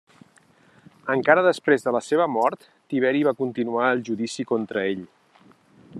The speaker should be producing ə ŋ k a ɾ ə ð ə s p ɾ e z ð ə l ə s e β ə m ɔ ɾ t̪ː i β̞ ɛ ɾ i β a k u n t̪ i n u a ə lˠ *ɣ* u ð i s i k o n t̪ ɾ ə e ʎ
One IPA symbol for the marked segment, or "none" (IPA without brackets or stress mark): ʒ